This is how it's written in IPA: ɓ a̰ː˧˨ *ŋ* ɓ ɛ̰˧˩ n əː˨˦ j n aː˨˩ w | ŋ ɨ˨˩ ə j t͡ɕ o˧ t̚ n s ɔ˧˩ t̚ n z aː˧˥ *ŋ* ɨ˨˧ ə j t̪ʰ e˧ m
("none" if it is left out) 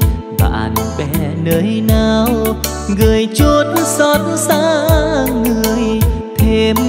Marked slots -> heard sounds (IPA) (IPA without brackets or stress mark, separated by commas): n, ŋ